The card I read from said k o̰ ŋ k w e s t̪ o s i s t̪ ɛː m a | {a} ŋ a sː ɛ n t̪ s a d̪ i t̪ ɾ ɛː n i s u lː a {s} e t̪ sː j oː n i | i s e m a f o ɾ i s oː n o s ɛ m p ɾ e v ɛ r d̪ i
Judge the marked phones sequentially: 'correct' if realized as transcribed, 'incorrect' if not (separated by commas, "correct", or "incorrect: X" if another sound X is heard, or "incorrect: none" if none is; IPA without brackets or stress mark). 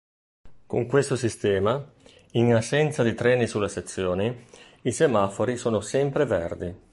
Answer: incorrect: i, correct